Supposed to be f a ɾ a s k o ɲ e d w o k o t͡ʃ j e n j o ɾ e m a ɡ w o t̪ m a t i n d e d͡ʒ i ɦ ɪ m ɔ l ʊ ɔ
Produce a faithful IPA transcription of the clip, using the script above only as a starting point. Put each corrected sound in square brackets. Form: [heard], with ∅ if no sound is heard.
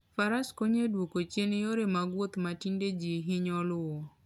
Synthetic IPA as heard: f a ɾ a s k o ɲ e d w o k o t͡ʃ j e n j o ɾ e m a ɡ w o t̪ m a t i n d e d͡ʒ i ɦ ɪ [ɲ] ɔ l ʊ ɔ